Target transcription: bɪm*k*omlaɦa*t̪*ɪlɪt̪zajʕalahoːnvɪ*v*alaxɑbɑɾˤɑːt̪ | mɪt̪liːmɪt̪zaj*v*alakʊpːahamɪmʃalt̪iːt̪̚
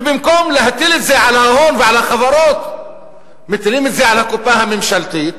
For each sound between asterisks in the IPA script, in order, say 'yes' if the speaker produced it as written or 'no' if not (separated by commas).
yes, yes, no, no